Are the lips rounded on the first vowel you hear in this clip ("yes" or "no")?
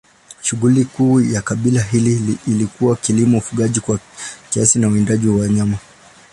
yes